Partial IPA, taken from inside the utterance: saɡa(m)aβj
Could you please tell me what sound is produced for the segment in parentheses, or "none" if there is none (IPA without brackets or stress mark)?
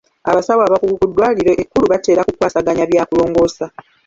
ɲ